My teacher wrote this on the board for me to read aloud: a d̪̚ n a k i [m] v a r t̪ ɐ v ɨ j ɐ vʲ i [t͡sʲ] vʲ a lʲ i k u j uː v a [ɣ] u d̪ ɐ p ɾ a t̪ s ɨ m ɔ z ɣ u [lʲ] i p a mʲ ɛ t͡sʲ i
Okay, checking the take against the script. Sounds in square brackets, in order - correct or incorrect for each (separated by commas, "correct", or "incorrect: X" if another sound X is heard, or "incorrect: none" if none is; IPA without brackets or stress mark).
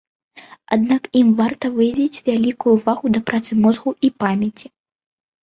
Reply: correct, correct, correct, incorrect: none